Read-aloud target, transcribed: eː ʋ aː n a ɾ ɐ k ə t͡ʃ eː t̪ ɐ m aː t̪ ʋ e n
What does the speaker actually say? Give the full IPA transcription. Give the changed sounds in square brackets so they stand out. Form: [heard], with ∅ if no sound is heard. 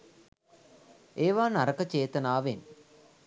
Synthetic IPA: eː ʋ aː n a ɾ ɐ k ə t͡ʃ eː t̪ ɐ [n] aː [∅] ʋ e n